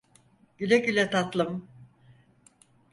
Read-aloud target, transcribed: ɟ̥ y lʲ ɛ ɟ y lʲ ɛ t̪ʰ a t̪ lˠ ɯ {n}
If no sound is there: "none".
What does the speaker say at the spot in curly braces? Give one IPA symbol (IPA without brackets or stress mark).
m